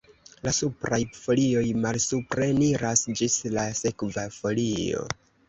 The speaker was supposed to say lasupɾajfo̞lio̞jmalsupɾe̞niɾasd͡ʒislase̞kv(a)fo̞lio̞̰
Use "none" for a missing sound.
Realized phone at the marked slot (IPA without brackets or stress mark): a